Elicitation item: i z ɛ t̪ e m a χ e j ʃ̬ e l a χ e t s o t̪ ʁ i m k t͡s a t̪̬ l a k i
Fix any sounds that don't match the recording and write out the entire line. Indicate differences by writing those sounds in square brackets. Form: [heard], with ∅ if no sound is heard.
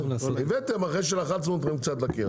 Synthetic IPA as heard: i [v] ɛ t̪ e m a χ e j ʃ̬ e l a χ [a] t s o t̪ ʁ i m k t͡s a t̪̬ l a k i

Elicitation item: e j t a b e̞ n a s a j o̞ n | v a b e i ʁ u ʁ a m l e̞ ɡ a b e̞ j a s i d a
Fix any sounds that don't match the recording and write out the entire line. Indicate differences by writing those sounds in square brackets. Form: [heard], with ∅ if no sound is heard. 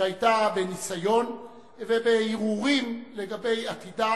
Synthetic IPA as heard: [a] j t a b e̞ n [i] s a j o̞ n | v [e] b e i ʁ u ʁ [i] m l e̞ ɡ a b e̞ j a [t] i d a

